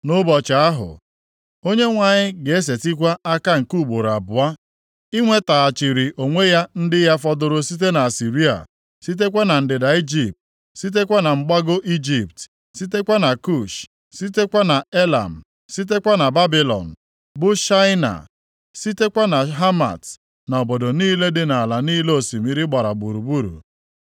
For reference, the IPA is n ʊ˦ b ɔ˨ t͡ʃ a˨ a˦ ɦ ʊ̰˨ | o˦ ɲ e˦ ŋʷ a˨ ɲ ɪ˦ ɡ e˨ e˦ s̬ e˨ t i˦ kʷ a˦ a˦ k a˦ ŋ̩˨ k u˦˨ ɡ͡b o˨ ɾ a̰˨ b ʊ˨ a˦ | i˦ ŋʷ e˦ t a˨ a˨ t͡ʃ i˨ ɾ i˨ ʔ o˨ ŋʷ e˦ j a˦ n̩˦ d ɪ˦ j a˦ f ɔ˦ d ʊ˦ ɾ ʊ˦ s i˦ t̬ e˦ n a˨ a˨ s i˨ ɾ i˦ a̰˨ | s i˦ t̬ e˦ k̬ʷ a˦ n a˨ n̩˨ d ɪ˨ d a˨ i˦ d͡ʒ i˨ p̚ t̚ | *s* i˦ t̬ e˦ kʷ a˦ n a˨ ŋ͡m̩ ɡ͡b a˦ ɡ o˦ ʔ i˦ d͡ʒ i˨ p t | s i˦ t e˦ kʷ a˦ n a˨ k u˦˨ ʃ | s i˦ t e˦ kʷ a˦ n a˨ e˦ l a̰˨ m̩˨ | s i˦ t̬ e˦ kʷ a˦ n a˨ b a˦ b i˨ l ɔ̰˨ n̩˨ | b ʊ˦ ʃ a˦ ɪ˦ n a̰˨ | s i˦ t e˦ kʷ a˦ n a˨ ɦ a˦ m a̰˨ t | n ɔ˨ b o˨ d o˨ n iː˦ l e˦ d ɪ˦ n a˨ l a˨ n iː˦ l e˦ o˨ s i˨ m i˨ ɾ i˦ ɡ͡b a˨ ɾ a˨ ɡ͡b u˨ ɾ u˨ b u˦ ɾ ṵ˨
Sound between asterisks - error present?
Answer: no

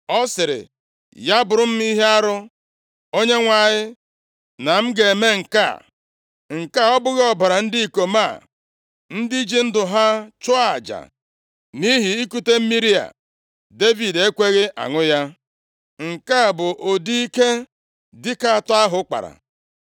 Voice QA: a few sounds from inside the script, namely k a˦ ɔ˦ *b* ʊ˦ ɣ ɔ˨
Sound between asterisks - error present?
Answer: no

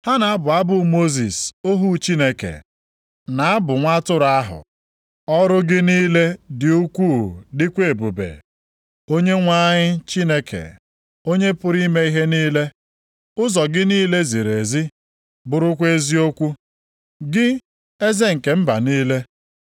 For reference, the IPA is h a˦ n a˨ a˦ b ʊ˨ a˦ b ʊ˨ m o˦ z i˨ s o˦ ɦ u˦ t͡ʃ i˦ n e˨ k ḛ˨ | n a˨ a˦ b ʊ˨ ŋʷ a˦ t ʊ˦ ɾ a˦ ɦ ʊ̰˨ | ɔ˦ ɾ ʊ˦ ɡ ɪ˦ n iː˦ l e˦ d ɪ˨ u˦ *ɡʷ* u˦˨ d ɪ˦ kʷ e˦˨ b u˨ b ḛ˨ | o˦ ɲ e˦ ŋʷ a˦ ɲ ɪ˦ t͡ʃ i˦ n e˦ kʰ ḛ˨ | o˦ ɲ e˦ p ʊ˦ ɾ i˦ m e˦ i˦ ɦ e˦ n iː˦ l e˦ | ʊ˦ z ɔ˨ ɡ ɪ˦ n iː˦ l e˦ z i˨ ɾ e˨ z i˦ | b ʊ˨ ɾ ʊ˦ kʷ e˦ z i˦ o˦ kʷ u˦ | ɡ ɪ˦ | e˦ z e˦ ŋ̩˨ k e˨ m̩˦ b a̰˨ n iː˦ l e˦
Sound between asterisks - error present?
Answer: yes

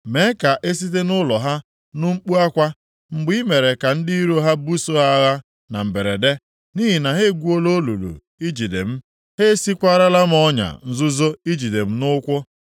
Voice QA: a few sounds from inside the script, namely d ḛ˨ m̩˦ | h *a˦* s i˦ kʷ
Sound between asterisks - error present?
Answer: yes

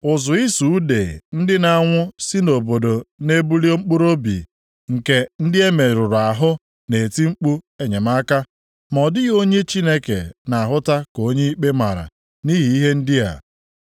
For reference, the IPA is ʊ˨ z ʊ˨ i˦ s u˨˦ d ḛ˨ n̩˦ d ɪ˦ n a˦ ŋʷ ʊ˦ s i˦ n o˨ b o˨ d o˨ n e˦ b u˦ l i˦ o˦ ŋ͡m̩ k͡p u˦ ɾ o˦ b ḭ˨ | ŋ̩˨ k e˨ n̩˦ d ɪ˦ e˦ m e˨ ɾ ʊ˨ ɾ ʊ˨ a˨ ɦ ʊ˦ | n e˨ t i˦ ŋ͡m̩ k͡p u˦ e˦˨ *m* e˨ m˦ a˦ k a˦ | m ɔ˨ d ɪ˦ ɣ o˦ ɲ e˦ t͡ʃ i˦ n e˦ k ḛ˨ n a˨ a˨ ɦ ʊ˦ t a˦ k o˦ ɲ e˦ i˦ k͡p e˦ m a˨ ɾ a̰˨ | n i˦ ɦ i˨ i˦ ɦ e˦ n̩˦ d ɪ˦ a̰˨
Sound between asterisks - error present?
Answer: yes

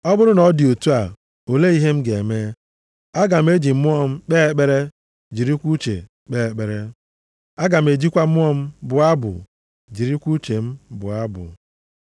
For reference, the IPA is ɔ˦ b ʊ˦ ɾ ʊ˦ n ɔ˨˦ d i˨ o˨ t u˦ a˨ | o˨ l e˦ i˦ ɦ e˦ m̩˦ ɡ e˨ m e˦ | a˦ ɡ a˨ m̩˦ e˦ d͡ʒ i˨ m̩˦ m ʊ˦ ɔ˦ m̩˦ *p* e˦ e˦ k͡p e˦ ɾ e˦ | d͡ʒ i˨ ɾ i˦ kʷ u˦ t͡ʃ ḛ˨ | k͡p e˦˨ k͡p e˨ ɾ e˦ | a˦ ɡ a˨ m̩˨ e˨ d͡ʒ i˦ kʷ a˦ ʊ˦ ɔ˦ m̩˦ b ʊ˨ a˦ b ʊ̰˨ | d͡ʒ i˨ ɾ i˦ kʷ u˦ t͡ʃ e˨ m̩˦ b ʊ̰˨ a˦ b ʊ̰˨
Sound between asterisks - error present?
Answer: yes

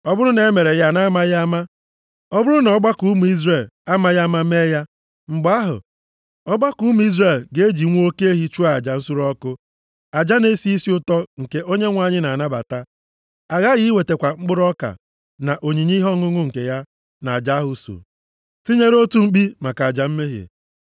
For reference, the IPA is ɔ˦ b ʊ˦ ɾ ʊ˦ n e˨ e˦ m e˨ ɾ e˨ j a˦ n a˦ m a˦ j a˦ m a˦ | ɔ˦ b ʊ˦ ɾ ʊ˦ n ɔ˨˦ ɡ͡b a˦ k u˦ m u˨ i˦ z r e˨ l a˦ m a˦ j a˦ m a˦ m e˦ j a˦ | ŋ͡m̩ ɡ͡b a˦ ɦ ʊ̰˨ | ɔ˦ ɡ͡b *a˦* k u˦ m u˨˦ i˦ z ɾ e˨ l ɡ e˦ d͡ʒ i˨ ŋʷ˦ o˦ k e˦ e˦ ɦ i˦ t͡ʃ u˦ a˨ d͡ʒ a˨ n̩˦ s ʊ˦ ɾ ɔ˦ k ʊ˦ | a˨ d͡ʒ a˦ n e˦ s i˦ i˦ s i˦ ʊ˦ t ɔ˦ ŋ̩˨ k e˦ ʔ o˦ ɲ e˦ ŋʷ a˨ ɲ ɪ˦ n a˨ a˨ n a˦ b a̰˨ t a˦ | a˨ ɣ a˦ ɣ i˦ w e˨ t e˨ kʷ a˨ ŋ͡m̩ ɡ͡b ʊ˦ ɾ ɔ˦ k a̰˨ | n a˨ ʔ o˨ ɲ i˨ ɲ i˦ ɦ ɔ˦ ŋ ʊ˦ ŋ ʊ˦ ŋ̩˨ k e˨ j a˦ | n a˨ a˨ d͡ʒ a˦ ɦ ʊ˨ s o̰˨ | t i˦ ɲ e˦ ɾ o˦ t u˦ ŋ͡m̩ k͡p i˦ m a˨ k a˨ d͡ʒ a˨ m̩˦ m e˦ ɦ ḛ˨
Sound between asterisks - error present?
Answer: no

